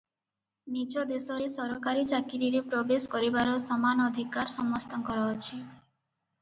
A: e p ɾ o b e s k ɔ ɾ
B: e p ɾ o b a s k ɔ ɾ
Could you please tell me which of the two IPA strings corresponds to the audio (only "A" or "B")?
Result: A